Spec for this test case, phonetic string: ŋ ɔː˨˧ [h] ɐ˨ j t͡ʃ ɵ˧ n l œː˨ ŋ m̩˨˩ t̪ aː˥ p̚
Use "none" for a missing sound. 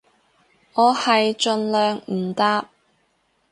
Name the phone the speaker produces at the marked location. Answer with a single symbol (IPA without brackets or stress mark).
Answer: h